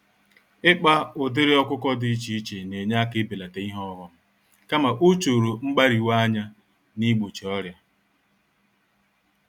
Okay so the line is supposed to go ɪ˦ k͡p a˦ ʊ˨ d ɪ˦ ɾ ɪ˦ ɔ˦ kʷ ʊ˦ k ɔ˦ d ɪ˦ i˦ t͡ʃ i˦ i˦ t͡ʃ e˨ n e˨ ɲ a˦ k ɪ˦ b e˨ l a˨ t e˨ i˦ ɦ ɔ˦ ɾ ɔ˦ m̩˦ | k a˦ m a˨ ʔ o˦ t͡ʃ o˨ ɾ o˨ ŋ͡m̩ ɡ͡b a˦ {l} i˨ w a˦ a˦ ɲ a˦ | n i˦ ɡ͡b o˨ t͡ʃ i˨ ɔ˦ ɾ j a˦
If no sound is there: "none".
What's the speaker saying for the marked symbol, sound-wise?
ɾ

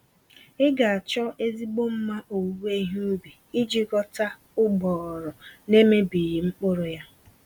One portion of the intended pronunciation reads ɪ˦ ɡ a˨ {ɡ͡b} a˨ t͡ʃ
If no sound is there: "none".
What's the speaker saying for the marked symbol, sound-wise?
none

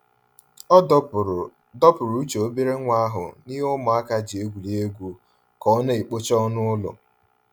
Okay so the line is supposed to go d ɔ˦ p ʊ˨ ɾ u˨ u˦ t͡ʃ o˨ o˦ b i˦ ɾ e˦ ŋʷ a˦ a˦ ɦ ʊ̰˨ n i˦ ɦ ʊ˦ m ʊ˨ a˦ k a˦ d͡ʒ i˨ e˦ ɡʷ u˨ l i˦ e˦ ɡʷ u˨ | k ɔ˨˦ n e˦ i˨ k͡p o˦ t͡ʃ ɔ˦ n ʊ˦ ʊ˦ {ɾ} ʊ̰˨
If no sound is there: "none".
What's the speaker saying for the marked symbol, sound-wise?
l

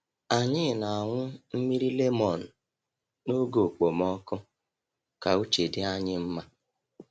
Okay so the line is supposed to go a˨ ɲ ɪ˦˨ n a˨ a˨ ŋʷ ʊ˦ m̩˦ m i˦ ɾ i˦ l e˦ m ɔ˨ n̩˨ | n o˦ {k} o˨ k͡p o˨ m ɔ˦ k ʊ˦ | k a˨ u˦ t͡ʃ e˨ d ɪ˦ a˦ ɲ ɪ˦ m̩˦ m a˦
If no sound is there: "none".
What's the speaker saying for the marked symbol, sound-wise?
ɡ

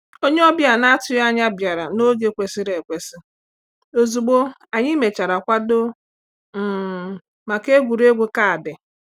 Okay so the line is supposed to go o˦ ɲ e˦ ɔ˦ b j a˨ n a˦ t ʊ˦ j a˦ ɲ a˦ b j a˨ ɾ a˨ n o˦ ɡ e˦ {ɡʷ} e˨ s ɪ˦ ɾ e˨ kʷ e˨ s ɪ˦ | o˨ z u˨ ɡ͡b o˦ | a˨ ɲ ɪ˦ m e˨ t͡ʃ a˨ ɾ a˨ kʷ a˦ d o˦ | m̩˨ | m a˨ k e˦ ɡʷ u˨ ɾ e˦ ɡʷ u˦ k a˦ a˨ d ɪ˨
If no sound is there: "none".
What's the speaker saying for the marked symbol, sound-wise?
kʷ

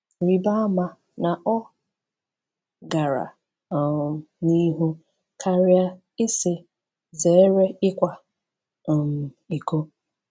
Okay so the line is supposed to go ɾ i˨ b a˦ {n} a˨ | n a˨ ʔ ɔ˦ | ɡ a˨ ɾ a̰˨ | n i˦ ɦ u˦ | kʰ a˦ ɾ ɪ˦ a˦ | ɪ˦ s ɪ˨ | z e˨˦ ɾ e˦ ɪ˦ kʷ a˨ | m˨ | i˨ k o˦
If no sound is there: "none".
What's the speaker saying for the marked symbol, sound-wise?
m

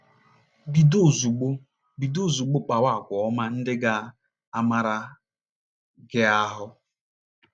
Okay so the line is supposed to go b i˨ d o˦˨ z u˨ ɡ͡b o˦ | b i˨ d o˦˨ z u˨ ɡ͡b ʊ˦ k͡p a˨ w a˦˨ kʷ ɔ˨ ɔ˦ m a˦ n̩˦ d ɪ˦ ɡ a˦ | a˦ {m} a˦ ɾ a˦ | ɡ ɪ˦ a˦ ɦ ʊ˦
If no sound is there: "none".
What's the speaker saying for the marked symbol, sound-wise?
m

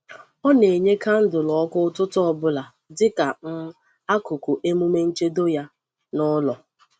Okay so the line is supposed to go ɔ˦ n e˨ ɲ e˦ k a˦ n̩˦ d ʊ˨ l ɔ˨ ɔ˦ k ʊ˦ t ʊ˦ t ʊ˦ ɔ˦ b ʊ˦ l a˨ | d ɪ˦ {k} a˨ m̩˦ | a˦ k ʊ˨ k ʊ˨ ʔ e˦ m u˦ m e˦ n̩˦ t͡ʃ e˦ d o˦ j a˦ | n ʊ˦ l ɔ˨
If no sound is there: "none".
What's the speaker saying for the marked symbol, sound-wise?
k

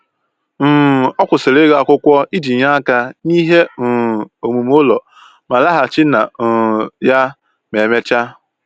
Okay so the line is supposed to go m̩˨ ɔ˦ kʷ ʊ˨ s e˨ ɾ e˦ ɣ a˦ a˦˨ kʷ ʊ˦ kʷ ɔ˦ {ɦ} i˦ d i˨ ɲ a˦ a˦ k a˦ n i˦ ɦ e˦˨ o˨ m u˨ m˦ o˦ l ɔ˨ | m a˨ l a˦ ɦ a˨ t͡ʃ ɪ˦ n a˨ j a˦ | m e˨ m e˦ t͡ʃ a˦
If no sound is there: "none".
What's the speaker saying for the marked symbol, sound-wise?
none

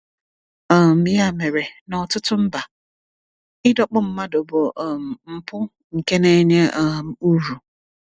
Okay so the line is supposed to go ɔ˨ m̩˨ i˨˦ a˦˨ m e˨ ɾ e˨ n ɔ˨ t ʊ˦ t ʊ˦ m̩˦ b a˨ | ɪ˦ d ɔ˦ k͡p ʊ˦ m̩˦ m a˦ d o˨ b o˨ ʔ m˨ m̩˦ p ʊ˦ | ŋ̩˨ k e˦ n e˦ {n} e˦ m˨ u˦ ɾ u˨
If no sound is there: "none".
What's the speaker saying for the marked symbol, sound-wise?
ɲ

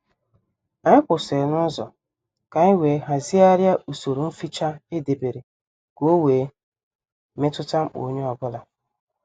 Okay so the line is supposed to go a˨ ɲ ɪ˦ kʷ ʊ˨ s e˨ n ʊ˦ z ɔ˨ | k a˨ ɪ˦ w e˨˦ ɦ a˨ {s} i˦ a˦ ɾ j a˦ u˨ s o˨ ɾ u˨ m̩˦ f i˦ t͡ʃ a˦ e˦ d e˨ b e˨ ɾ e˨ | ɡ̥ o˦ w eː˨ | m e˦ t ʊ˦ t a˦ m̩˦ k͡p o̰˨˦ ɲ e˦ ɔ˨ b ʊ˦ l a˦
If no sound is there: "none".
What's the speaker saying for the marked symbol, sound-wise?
z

